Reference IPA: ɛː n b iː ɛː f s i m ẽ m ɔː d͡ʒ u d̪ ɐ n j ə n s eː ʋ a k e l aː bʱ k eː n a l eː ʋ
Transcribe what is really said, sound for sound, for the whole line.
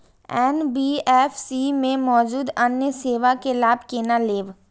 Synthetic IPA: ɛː n b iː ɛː f s i m ẽ m ɔː d͡ʒ uː d̪ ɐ n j ə s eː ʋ a k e l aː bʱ k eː n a l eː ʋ